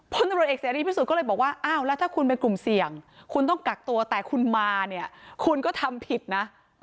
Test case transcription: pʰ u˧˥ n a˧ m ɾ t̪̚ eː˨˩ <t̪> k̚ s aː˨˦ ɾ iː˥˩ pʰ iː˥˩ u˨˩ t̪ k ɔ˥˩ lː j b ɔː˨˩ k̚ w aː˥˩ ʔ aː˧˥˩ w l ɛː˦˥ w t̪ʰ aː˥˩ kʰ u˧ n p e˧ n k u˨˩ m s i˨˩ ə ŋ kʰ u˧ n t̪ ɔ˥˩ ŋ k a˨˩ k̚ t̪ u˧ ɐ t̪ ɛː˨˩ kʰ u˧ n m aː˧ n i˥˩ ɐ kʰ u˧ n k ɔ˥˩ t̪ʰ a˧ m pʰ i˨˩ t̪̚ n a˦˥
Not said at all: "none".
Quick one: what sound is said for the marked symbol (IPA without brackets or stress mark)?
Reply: none